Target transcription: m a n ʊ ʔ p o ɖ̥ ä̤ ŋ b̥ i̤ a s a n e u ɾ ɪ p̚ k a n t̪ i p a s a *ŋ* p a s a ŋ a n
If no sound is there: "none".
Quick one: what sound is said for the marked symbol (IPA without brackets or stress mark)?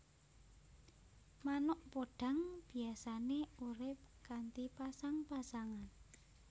ŋ